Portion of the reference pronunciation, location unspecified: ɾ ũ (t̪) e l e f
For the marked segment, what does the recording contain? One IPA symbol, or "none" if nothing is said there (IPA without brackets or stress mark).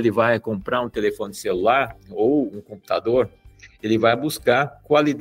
t̪